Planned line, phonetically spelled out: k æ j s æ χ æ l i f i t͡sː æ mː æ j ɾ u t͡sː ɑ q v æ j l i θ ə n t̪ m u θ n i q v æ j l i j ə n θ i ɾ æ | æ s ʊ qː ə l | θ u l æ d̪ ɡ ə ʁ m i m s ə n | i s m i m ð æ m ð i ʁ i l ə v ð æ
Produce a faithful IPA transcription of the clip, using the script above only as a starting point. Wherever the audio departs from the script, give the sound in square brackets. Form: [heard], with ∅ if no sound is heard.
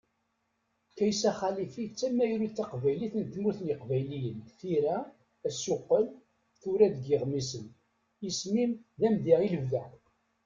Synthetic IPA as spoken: k æ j s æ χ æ l i f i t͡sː æ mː æ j ɾ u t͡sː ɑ q v æ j l i θ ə n t̪ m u θ n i q v æ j l i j ə n θ i ɾ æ | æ s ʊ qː ə l | θ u [ɾ] æ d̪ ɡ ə ʁ m i [∅] s ə n | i s m i m ð æ m ð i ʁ i l ə v ð æ

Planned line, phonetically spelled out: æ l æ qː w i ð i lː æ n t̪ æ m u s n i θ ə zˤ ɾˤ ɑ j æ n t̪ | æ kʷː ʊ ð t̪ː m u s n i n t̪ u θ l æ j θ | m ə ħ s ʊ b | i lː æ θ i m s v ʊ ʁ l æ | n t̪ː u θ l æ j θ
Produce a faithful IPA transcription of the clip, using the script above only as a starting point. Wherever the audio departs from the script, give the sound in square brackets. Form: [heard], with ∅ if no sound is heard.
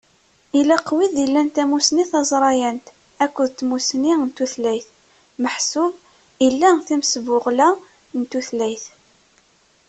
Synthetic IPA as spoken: [i] l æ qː w i ð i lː æ n t̪ æ m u s n i θ [ɑ] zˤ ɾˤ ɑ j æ n t̪ | æ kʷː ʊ ð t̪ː m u s n i n t̪ u θ l æ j θ | m ə ħ s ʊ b | i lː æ θ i m s v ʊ ʁ l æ | n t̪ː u θ l æ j θ

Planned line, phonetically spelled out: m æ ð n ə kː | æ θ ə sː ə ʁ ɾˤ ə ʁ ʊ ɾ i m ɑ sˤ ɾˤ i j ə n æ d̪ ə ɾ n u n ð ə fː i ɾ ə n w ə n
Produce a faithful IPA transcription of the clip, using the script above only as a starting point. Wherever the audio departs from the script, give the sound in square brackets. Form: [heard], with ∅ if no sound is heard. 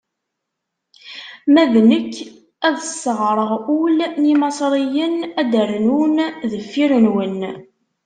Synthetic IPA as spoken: m æ ð n ə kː | æ [ð] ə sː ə ʁ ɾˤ ə ʁ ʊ [l] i m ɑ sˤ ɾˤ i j ə n æ d̪ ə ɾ n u n ð ə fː i ɾ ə n w ə n

